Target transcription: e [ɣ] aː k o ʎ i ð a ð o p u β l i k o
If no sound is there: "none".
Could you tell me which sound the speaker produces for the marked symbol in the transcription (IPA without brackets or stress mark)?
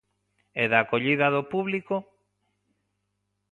ð